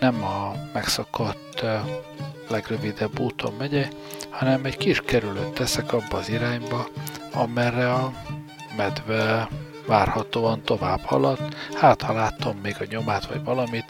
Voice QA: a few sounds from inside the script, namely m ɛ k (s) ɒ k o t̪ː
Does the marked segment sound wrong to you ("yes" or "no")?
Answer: no